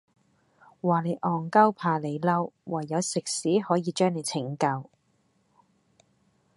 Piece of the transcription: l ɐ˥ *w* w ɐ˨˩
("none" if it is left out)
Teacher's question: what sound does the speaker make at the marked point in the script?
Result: w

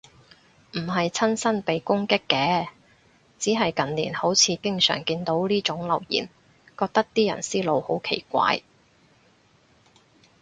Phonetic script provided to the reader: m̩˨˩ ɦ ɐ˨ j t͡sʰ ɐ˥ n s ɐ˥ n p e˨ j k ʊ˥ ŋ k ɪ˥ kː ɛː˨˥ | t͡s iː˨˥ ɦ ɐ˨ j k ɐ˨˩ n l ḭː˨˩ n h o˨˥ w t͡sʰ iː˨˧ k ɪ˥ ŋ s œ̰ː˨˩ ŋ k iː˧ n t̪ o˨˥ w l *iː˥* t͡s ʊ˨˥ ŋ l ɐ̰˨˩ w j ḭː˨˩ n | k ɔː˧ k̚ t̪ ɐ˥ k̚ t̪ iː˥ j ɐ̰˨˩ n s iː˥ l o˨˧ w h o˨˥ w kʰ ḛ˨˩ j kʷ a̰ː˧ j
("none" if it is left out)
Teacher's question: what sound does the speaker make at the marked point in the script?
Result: iː˥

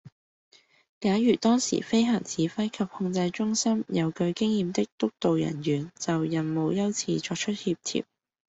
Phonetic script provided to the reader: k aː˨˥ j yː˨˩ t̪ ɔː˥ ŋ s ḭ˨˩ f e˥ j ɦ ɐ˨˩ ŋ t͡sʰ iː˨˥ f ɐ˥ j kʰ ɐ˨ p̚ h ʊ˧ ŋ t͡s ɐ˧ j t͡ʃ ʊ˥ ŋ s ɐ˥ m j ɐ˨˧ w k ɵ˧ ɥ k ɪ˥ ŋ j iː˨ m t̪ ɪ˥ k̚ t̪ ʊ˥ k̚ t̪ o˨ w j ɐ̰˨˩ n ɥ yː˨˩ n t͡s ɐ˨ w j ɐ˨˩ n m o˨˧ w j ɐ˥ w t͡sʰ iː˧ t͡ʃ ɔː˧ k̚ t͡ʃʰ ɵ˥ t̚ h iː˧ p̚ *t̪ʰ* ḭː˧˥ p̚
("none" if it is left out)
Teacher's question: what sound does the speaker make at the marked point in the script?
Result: t̪ʰ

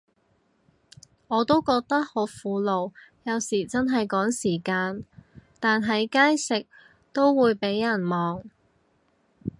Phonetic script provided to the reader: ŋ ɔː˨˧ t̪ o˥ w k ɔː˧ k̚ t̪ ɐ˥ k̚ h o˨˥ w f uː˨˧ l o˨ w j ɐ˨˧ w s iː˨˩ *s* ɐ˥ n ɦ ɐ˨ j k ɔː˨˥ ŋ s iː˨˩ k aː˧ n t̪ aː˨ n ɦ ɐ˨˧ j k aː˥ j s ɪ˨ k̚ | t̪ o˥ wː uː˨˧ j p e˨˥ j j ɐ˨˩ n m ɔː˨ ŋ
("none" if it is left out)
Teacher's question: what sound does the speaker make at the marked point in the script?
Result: t͡s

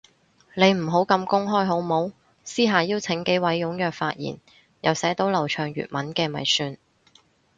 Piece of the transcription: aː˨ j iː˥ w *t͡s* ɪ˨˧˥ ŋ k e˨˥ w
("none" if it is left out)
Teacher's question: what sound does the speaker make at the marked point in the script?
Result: t͡sʰ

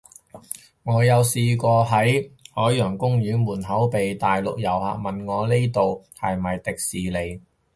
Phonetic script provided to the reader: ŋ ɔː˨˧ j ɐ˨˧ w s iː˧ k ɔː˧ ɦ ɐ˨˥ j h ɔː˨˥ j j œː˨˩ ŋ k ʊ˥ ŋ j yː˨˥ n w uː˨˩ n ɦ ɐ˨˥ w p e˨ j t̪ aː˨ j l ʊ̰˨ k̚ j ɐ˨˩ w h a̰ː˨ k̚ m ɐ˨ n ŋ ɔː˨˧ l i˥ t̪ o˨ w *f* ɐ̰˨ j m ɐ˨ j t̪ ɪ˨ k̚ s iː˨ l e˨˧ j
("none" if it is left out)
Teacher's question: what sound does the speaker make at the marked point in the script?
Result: h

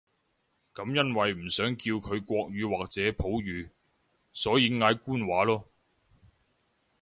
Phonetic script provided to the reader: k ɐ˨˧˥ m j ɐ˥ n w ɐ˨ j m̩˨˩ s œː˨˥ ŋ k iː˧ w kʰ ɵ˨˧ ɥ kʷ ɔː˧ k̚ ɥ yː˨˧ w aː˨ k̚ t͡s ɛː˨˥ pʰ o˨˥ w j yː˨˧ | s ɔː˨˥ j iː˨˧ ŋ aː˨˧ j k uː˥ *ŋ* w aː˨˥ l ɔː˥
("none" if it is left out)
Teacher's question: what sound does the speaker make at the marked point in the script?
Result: n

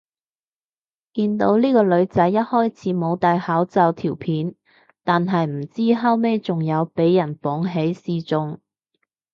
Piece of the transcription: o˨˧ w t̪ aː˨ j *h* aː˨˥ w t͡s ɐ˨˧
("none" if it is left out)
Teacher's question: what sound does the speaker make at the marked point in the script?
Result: h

